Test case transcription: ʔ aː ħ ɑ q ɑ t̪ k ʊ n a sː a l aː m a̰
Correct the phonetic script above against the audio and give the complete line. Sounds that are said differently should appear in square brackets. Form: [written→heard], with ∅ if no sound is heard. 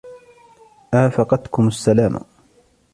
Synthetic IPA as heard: ʔ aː [ħ→f] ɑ q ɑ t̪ k ʊ [n→m] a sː a l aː m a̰